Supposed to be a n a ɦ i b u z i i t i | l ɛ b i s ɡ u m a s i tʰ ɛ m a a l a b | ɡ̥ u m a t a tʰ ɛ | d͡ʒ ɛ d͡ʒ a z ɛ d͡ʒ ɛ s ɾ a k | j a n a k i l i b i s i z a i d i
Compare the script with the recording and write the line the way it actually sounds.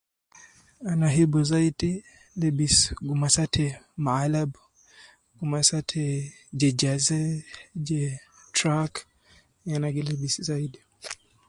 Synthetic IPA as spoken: a n a ɦ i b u z a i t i | l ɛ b i s ɡ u m a s a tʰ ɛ m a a l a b | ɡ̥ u m a s a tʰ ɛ | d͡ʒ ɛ d͡ʒ a z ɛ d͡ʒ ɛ t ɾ a k | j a n a ɡ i l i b i s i z a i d i